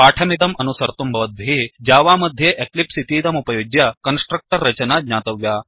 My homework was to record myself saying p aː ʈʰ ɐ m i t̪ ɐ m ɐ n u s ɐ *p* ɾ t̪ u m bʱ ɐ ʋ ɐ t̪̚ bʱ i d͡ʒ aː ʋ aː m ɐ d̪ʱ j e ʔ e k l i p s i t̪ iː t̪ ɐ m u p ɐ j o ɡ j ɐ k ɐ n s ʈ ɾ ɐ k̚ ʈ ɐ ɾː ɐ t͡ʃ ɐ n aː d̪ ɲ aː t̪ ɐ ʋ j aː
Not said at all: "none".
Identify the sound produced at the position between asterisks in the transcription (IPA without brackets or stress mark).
none